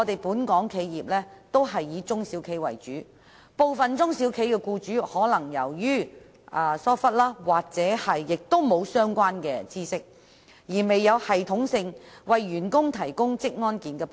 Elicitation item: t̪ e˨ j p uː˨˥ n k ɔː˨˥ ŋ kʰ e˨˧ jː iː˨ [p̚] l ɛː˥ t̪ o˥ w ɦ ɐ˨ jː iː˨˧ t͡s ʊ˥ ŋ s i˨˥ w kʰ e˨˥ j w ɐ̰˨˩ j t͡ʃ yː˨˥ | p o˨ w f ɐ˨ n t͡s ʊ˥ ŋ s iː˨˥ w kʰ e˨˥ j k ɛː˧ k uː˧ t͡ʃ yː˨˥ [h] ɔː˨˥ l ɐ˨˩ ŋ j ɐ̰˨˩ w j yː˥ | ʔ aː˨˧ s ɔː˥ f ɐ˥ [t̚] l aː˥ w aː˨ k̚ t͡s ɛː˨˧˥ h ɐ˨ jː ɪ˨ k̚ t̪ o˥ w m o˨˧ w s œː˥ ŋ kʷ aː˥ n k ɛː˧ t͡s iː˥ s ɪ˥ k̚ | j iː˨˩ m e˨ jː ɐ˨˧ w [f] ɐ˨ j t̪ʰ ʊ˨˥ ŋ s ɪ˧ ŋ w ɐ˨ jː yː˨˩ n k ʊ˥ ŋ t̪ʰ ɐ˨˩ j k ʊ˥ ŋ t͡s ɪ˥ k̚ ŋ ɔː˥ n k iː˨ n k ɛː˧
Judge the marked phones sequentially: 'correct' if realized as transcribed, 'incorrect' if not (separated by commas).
correct, correct, correct, incorrect